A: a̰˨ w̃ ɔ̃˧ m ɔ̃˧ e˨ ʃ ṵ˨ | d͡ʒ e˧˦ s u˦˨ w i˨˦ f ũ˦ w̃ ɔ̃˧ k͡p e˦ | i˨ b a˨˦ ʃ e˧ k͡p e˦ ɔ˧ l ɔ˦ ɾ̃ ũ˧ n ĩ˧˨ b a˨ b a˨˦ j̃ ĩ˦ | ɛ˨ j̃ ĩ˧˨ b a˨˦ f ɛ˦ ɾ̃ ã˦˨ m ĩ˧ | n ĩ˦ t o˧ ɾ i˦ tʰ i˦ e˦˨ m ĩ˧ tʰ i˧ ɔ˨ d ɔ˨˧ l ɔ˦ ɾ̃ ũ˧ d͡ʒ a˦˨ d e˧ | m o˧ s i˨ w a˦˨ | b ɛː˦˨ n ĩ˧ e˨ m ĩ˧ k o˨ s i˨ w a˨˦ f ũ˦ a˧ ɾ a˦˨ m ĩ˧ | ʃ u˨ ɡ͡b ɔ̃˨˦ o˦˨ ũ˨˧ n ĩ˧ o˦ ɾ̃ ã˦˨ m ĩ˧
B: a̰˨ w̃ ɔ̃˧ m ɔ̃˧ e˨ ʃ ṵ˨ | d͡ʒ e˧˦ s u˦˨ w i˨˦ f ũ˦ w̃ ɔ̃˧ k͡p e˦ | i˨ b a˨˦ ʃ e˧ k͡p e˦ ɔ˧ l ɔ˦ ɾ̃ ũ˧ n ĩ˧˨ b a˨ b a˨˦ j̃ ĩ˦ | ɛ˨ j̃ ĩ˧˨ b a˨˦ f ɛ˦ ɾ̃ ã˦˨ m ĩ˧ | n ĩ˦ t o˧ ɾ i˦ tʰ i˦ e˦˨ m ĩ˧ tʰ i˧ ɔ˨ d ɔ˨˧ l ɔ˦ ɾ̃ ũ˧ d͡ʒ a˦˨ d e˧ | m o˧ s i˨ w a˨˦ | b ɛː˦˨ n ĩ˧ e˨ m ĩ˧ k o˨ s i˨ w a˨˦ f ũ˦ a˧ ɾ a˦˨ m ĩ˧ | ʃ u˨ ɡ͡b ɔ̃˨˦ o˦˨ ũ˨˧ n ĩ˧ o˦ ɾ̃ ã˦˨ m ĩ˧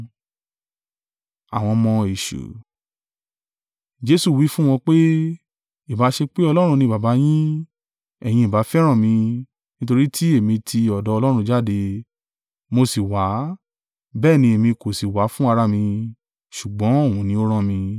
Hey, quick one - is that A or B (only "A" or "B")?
B